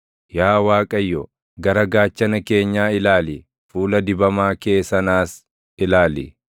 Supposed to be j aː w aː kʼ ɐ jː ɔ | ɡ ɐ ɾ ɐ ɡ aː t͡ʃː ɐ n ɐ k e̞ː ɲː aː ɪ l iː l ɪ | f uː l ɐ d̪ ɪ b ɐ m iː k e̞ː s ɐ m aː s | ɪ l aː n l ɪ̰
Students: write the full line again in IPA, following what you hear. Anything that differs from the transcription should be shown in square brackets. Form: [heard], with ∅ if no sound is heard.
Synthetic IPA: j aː w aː kʼ ɐ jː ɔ | ɡ ɐ ɾ ɐ ɡ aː t͡ʃː ɐ n ɐ k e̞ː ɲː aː ɪ l [aː] l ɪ | f uː l ɐ d̪ ɪ b ɐ m [aː] k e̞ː s ɐ [n] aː s | ɪ l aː [∅] l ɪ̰